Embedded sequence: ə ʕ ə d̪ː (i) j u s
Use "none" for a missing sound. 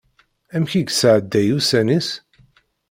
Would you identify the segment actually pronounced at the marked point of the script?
æ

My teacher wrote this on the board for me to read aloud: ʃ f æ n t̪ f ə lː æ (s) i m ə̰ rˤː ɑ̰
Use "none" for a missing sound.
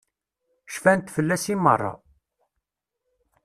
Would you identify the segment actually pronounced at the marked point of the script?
s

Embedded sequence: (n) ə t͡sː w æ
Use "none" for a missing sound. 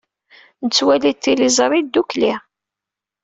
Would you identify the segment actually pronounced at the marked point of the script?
n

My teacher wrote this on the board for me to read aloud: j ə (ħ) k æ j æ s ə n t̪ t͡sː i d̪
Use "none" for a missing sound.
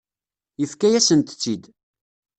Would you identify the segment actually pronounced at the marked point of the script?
f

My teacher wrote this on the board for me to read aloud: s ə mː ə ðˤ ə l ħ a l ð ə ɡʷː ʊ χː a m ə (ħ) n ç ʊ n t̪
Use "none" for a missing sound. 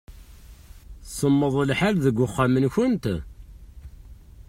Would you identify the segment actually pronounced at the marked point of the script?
none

